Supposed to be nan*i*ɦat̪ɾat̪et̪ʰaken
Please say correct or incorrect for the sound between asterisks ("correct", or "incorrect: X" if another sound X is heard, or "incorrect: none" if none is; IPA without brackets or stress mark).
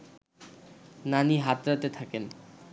correct